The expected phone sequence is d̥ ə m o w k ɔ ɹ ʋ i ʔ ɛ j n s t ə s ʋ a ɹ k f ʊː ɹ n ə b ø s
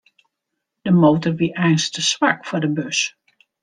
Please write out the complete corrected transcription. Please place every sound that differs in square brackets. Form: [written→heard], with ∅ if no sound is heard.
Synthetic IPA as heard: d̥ ə m o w [k→t] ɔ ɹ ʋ i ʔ ɛ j n s t ə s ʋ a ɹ k f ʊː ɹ [n→d] ə b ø s